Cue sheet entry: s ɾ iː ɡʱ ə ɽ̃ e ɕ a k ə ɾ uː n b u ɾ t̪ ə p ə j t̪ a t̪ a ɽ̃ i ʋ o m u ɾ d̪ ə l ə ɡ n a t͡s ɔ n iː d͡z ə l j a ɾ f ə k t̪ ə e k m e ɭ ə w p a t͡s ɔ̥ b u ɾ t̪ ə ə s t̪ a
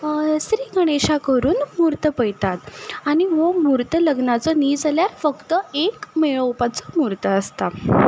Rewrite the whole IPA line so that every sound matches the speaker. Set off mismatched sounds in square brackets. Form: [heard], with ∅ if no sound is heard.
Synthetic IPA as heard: s ɾ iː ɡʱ ə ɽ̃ e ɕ a k ə ɾ uː n [m] u ɾ t̪ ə p ə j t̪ a t̪ a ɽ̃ i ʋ o m u ɾ [t̪] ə l ə ɡ n a t͡s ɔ n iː d͡z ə l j a ɾ f ə k t̪ ə e k m e ɭ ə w p a t͡s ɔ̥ [m] u ɾ t̪ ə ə s t̪ a

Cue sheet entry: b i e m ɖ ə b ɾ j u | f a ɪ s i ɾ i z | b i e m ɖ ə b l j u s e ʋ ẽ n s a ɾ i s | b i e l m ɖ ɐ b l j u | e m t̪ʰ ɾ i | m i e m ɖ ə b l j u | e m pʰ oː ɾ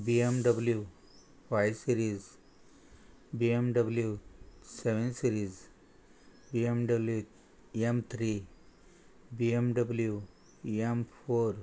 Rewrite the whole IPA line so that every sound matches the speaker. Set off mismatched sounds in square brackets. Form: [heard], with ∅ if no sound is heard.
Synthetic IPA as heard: b i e m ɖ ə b [l] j u | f a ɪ s i ɾ i z | b i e m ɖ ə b l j u s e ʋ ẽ n s [i] ɾ i [z] | b i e [∅] m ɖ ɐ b l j u | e m t̪ʰ ɾ i | [b] i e m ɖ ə b l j u | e m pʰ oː ɾ

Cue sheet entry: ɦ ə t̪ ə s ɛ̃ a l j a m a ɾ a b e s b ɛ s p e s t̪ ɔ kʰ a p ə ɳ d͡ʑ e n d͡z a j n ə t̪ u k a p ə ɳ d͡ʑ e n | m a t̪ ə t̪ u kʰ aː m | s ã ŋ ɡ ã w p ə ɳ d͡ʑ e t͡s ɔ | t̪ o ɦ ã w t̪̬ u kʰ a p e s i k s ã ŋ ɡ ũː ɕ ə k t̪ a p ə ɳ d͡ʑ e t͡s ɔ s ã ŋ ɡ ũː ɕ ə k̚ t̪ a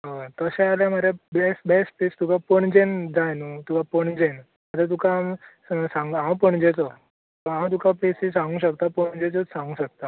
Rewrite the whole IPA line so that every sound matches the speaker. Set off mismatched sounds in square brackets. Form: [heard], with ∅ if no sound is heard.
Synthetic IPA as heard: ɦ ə t̪ ə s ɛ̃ a l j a m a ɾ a b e s b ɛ s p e s t̪ [u] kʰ a p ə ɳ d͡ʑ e n d͡z a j n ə t̪ u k a p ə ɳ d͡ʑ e n | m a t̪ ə t̪ u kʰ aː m | s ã ŋ ɡ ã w p ə ɳ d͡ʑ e t͡s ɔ | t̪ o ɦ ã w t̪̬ u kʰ a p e s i [∅] s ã ŋ ɡ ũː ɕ ə k t̪ a p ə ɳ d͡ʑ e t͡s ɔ s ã ŋ ɡ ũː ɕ ə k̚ t̪ a

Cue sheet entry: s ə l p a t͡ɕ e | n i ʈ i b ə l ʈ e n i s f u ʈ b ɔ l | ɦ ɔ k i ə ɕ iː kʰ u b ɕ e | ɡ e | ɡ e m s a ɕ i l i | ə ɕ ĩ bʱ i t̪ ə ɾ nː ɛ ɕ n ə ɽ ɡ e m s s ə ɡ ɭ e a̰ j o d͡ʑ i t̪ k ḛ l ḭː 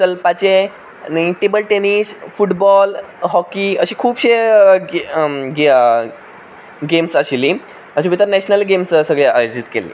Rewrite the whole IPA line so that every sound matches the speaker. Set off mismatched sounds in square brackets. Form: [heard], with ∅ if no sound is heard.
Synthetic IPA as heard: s ə l p a t͡ɕ e | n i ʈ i b ə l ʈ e n i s f u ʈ b ɔ l | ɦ ɔ k i ə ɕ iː kʰ [uː] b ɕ e | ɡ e | ɡ e m s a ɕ i l i | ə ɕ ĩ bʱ i t̪ ə ɾ [n] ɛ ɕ n ə [l] ɡ e m s s ə ɡ ɭ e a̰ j o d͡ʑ i t̪ k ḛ l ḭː

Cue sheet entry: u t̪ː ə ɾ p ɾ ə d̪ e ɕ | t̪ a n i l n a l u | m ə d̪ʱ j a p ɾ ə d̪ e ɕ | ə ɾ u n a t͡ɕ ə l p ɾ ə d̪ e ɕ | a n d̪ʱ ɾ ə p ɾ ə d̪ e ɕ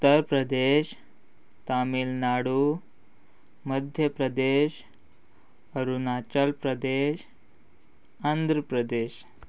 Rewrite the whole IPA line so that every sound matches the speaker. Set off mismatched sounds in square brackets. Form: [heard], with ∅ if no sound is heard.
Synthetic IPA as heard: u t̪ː ə ɾ p ɾ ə d̪ e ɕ | t̪ a [m] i l n a [ɽ] u | m ə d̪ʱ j [ə] p ɾ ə d̪ e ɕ | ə ɾ u n a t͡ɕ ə l p ɾ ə d̪ e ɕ | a n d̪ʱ ɾ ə p ɾ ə d̪ e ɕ

